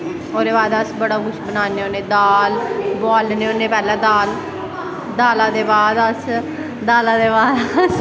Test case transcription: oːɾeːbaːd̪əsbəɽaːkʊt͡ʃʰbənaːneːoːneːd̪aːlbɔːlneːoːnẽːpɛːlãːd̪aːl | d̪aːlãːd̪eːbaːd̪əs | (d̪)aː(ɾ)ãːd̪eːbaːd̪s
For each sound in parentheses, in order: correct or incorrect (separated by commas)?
correct, incorrect